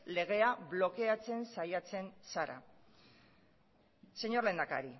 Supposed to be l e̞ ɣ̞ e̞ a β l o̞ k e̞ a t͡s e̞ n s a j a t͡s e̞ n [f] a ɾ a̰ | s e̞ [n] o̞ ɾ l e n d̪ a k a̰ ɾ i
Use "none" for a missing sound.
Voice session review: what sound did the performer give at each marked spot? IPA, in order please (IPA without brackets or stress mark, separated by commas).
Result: s, ɲ